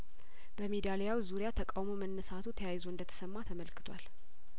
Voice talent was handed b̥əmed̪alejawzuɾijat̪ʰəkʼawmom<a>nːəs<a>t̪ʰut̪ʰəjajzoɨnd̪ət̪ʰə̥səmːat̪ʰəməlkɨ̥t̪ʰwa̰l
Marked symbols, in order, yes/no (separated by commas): no, yes